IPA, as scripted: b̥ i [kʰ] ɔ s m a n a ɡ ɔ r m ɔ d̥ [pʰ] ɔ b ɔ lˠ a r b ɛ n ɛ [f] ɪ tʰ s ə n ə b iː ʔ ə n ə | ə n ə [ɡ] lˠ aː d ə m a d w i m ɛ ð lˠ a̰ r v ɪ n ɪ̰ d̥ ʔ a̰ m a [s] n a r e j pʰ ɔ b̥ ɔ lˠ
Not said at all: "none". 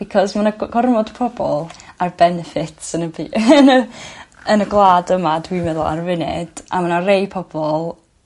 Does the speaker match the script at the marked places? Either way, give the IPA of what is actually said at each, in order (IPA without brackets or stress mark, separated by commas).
kʰ, pʰ, f, ɡ, none